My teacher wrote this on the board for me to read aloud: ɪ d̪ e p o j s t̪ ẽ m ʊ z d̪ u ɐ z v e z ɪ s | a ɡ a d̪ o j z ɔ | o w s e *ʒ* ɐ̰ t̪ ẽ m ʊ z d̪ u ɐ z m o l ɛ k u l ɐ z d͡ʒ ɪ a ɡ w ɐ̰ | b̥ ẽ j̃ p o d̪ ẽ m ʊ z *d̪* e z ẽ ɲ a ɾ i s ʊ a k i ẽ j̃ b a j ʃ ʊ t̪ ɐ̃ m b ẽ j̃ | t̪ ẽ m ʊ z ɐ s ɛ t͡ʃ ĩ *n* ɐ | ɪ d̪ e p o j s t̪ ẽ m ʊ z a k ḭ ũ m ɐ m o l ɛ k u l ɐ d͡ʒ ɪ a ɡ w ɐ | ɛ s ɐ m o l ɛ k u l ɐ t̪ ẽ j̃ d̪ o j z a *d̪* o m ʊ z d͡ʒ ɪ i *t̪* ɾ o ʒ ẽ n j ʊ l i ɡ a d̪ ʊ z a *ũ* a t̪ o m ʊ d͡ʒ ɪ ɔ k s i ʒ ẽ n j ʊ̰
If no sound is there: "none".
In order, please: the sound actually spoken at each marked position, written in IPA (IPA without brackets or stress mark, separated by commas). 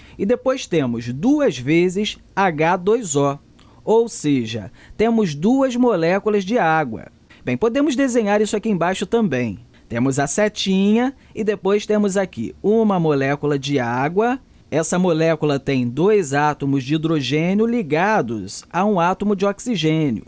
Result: ʒ, d̪, ɲ, t̪, d̪, ũ